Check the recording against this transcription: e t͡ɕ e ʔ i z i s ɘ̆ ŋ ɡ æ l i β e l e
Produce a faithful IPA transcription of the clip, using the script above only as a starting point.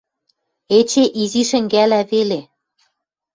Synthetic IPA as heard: e t͡ɕ e ʔ i z i ʃ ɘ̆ ŋ ɡ æ l æ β e l e